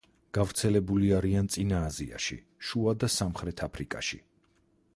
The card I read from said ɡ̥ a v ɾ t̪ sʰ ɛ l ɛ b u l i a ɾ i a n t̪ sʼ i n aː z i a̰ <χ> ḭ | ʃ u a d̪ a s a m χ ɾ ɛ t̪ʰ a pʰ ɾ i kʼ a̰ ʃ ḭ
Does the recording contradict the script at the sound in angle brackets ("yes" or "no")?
yes